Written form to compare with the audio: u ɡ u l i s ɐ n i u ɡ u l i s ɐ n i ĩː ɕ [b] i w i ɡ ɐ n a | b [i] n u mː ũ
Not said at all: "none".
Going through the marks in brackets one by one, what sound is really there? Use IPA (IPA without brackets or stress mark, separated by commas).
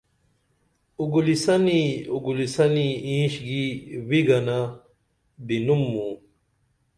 ɡ, i